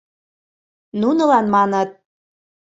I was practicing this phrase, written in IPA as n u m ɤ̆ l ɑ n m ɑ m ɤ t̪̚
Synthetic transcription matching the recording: n u n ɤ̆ l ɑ n m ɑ n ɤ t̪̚